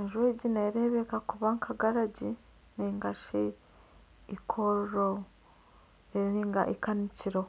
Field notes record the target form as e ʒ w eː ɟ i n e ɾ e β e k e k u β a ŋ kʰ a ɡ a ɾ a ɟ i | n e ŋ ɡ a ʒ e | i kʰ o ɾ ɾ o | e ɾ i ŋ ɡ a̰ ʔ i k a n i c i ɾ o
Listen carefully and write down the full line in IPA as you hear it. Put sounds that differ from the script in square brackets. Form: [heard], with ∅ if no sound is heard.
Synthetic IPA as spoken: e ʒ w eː ɟ i n e ɾ e β e k [a] k u β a ŋ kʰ a ɡ a ɾ a ɟ i | n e ŋ ɡ a [ʃ] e | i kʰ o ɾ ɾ o | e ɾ i ŋ ɡ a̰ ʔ i k a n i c i ɾ o